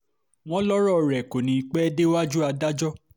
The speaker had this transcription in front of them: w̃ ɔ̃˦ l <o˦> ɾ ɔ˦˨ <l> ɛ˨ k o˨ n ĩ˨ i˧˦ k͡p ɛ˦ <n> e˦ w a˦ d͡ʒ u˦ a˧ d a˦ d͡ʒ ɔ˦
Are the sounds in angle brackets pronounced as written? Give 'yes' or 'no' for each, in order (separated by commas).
no, no, no